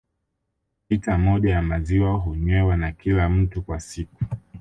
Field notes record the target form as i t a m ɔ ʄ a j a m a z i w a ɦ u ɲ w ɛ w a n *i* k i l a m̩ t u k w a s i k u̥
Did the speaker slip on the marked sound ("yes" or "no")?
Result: yes